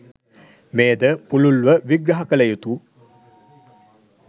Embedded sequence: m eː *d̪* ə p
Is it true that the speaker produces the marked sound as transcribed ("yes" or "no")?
yes